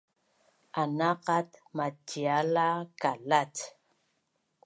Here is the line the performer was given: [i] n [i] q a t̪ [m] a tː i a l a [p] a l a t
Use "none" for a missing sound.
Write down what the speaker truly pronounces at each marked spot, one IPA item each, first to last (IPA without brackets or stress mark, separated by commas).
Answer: a, a, m, k